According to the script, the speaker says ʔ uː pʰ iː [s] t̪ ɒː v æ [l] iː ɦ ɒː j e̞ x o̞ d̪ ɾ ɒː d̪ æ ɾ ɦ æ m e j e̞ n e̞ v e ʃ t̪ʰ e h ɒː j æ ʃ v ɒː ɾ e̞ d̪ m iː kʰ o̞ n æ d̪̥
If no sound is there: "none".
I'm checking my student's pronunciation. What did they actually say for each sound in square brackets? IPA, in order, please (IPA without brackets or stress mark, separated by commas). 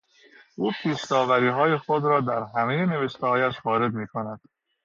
ʃ, ɾ